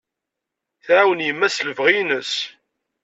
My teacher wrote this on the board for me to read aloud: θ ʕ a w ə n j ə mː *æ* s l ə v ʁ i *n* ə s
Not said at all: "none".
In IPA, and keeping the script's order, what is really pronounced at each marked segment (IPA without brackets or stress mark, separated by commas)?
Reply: æ, n